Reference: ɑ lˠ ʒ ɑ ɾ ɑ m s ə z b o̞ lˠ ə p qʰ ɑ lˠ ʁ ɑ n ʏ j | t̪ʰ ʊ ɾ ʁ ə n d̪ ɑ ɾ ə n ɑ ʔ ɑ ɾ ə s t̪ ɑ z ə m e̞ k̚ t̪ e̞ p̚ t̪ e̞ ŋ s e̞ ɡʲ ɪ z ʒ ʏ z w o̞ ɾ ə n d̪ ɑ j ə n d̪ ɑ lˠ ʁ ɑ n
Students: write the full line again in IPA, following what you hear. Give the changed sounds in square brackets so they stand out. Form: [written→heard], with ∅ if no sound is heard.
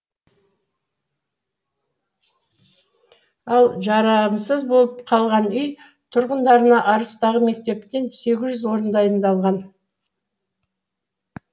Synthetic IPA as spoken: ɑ lˠ ʒ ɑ ɾ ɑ m s ə z b o̞ lˠ ə p qʰ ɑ lˠ ʁ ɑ n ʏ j | t̪ʰ ʊ ɾ ʁ ə n d̪ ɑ ɾ ə n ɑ ʔ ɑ ɾ ə s t̪ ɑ [z→ʁ] ə m e̞ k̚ t̪ e̞ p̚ t̪ e̞ [ŋ→n] s e̞ ɡʲ ɪ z ʒ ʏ z w o̞ ɾ ə n d̪ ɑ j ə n d̪ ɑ lˠ ʁ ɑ n